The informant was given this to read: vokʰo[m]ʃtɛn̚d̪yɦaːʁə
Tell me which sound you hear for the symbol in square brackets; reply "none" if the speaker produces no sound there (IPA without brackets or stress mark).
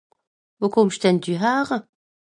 m